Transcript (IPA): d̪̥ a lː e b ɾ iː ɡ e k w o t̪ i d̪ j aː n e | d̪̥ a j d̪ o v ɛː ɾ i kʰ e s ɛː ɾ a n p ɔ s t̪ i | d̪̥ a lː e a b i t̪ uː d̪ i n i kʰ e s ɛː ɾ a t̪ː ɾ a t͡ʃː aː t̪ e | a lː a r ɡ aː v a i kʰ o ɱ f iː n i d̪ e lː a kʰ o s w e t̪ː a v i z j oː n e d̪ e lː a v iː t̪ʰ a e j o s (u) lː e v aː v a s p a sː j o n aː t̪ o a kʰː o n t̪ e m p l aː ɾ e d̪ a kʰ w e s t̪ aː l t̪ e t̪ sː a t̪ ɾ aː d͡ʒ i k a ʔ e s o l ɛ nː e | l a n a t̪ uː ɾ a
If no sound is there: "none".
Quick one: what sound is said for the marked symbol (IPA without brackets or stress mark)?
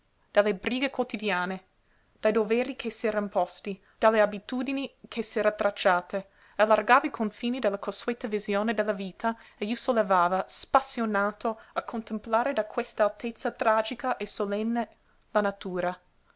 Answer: o